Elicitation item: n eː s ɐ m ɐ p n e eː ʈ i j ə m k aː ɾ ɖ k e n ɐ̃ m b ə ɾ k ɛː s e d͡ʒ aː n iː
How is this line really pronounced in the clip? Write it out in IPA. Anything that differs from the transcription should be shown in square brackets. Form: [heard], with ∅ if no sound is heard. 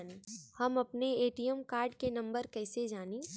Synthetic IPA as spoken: n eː [h] ɐ m ɐ p n e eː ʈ i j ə m k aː ɾ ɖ k e n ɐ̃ m b ə ɾ k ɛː s e d͡ʒ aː n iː